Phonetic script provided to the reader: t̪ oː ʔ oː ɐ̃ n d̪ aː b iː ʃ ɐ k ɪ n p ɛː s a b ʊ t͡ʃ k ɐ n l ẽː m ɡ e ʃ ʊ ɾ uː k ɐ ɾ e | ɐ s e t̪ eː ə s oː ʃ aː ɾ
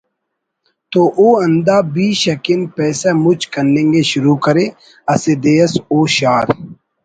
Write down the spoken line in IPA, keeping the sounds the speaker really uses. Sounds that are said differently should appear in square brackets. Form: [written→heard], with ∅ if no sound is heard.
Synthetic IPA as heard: t̪ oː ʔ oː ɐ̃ n d̪ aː b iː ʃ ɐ k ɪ n p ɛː s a [b→m] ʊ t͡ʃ k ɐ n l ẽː [m→ŋ] ɡ e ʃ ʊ ɾ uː k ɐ ɾ e | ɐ s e [t̪→d̪] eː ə s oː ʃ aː ɾ